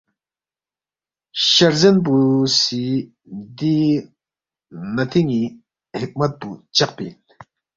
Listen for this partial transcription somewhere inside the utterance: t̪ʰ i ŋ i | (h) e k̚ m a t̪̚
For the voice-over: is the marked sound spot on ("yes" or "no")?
yes